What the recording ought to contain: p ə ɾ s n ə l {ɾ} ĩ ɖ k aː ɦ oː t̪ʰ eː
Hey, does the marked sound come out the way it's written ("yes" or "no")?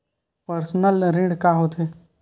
yes